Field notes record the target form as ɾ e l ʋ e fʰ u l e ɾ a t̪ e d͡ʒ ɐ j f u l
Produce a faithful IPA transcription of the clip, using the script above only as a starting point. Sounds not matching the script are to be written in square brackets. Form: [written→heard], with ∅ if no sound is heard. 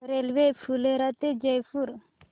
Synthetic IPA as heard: ɾ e l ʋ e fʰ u l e ɾ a t̪ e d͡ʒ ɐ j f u [l→ɾ]